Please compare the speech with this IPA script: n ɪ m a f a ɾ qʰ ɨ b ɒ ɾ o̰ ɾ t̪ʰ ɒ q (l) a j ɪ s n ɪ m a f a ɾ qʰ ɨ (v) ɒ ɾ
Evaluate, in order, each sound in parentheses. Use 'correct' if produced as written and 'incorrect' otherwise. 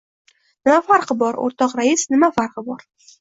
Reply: incorrect, incorrect

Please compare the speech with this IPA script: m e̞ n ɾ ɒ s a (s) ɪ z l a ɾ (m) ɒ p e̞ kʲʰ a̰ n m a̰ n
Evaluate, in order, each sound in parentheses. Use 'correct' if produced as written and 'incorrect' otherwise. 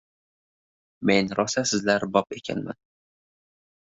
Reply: correct, incorrect

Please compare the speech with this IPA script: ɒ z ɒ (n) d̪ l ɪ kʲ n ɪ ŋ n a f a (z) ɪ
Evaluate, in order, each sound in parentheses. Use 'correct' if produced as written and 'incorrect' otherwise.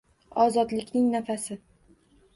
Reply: incorrect, incorrect

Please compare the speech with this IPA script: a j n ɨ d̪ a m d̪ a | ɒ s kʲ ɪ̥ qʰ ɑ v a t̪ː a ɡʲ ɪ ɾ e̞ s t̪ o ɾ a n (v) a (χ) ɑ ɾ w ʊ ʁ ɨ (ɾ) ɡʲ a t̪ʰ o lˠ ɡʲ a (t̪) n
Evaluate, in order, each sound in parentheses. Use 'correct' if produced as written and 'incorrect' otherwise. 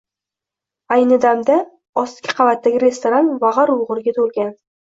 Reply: correct, incorrect, correct, incorrect

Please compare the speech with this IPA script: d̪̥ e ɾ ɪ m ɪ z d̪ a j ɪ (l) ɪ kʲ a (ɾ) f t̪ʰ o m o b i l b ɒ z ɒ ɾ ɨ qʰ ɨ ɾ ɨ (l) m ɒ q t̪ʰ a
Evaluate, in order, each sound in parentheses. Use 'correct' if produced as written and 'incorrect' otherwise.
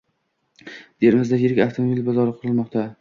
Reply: incorrect, incorrect, correct

